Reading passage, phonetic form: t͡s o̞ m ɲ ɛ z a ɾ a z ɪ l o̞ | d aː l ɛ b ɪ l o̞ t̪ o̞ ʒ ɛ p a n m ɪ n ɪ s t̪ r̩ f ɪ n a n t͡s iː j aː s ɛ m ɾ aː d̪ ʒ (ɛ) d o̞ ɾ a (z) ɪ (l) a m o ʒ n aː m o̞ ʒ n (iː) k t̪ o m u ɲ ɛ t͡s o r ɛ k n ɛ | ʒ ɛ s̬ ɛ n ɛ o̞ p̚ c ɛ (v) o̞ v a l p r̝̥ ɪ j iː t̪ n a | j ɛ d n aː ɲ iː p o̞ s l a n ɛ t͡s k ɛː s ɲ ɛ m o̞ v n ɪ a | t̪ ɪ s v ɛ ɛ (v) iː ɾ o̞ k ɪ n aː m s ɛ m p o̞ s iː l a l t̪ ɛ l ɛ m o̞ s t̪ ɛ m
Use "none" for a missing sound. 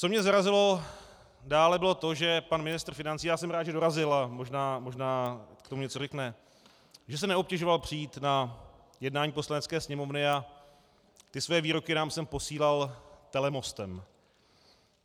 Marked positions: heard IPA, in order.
ɛ, z, l, aː, ʒ, v

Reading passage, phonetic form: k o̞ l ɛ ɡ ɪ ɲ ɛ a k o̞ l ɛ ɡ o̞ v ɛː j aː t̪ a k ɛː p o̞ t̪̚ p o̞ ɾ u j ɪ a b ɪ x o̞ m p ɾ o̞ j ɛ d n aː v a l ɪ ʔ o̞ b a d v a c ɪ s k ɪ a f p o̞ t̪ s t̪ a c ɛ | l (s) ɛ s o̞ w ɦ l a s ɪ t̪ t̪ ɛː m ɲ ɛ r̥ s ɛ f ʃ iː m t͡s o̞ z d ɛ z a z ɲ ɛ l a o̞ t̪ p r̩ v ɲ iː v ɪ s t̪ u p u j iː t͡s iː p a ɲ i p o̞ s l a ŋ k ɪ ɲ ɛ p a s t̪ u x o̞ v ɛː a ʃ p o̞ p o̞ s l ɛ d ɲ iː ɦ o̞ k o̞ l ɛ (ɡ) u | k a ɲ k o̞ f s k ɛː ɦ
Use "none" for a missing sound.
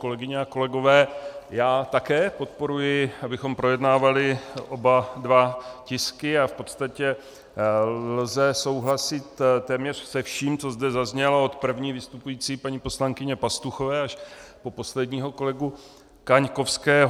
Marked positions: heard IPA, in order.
z, ɡ

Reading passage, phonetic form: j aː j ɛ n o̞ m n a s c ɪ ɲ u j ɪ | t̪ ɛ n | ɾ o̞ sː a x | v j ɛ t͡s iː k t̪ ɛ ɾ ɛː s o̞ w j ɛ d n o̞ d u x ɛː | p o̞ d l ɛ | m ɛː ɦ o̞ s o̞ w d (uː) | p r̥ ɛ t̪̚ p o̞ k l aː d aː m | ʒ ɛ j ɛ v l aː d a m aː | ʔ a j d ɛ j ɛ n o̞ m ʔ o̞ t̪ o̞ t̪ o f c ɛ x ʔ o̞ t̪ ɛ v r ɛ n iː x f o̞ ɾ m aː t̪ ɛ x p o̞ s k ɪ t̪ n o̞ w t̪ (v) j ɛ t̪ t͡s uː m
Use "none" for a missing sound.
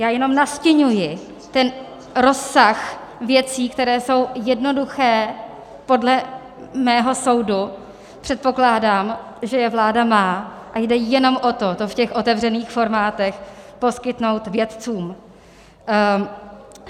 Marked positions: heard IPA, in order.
u, v

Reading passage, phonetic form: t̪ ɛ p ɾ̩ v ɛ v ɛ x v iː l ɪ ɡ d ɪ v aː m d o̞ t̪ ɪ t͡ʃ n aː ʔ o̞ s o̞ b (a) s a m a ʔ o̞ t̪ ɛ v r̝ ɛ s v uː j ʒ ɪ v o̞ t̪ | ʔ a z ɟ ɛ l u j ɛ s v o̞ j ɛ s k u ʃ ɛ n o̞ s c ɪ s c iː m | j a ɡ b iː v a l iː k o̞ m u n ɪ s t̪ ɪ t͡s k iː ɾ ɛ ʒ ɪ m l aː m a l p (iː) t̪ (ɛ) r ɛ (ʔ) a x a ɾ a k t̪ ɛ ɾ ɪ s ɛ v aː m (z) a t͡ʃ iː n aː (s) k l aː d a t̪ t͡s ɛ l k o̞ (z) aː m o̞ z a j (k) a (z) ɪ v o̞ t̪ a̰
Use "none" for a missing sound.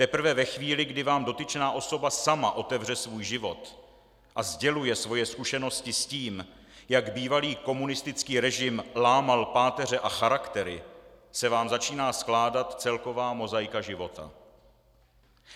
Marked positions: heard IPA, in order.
a, aː, ɛ, ʔ, z, s, v, k, ʒ

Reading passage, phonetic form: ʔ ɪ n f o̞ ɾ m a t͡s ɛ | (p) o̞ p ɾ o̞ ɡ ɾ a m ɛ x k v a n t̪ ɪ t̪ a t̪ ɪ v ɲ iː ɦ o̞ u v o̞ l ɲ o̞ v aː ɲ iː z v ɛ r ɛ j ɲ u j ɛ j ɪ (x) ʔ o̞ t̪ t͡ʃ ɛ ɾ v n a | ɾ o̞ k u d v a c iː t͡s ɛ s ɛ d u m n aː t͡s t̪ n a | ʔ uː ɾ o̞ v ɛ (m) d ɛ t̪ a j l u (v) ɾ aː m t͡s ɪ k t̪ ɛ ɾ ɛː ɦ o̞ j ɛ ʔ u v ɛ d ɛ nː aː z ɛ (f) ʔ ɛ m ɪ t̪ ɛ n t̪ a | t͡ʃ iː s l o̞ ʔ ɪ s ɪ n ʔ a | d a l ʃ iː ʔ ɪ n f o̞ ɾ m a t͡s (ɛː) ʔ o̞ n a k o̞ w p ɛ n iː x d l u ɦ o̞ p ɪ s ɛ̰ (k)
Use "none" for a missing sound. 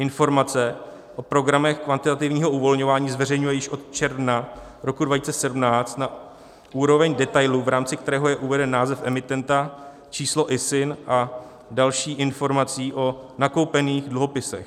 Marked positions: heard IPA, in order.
ʔ, ʃ, ɲ, v, f, iː, x

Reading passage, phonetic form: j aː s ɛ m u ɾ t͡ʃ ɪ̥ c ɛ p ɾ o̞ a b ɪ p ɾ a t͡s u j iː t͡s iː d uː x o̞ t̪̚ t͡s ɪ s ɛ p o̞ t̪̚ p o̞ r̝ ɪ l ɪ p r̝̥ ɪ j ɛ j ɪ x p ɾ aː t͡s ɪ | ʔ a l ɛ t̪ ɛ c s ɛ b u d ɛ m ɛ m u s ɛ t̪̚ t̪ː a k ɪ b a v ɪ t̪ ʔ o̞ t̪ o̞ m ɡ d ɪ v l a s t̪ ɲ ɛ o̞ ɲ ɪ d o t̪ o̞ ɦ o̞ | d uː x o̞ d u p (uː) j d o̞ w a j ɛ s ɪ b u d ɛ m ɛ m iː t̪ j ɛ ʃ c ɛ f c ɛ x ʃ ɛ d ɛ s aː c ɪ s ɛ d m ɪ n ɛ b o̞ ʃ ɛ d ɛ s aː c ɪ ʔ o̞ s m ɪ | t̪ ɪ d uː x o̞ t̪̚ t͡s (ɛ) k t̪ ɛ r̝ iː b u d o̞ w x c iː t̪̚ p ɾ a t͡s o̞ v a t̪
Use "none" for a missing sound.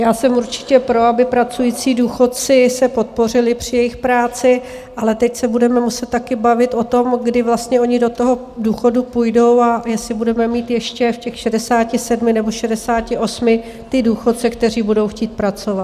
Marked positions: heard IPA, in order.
u, ɛ

